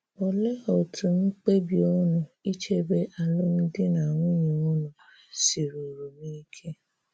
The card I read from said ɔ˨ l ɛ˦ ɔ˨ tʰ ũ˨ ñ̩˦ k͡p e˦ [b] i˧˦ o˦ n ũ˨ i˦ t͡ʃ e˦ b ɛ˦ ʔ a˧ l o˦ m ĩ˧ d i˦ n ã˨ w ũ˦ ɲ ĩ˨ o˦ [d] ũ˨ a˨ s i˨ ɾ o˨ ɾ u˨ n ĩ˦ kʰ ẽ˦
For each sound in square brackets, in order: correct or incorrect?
correct, incorrect: n

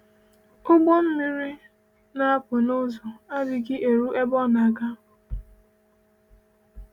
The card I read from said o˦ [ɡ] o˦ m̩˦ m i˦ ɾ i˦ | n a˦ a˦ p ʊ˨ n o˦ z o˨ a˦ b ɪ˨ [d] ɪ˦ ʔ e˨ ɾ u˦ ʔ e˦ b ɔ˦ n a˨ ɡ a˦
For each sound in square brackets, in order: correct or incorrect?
incorrect: ɡ͡b, incorrect: ɡ

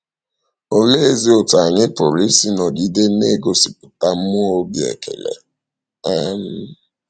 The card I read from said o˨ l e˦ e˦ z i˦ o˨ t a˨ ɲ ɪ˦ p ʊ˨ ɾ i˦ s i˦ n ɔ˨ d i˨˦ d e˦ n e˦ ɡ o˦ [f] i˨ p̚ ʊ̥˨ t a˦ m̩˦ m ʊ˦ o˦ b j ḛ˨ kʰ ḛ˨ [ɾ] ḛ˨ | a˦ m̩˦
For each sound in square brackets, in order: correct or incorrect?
incorrect: s, incorrect: l

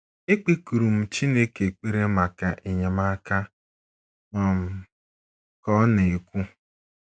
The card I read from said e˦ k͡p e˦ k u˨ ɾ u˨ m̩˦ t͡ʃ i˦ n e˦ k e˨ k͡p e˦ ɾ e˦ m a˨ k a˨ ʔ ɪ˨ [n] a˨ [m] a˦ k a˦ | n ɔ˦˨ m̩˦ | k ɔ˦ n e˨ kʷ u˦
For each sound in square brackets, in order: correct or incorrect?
incorrect: ɲ, correct

